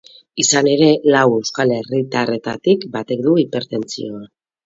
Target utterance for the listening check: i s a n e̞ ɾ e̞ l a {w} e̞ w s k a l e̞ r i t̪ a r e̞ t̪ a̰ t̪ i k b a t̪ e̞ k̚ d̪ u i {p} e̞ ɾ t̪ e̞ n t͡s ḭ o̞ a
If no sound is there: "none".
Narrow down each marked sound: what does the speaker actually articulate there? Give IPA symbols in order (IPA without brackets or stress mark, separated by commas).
w, p